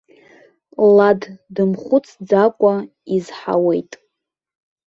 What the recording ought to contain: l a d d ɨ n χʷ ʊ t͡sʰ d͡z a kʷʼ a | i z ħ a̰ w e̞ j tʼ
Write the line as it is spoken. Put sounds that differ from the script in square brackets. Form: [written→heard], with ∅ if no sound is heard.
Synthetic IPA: l a d d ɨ [n→m] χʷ ʊ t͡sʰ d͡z a kʷʼ a | i z ħ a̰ w e̞ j tʼ

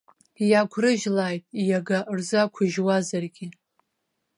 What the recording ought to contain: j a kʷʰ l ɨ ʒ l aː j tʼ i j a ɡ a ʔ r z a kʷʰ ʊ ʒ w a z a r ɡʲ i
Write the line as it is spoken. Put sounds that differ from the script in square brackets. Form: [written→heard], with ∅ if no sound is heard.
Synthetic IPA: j a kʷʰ [l→r] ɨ ʒ l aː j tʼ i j a ɡ a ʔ r z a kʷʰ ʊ ʒ w a z a r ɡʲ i

